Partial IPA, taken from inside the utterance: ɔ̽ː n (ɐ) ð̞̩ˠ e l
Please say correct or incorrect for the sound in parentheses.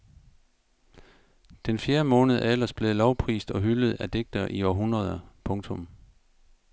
incorrect